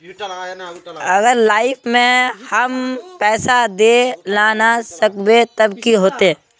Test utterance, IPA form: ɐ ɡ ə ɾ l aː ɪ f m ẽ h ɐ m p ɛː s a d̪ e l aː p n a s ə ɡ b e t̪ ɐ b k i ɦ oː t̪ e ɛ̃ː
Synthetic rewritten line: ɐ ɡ ə ɾ l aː ɪ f m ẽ h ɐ m p ɛː s a d̪ e l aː n a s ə k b e t̪ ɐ b k i ɦ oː t̪ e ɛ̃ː